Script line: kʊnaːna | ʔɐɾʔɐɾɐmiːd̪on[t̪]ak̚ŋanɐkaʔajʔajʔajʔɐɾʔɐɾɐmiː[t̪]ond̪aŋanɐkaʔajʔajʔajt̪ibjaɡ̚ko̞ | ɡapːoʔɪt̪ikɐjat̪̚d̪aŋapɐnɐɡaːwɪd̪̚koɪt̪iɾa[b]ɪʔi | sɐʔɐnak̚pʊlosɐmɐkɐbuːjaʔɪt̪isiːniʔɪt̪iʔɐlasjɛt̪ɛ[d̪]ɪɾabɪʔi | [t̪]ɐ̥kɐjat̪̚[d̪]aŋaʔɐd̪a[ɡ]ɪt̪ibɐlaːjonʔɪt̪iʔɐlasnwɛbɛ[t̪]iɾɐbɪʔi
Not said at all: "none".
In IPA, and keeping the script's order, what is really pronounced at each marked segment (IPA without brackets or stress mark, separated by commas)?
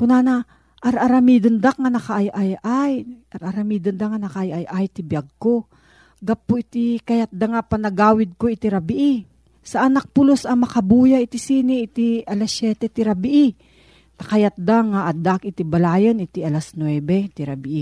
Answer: d̪, d̪, b, t̪, t̪, d̪, k, t̪